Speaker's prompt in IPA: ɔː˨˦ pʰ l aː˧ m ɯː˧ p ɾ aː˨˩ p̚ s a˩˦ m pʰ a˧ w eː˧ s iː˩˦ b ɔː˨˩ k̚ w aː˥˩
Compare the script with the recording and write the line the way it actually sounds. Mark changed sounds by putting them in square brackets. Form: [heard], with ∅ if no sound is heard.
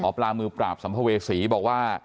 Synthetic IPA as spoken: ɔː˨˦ [p] l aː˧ m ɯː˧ p ɾ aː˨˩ p̚ s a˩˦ m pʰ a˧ w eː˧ s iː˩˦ b ɔː˨˩ k̚ w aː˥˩